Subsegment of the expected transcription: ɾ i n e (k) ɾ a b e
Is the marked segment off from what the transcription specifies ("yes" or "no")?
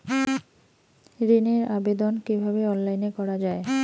yes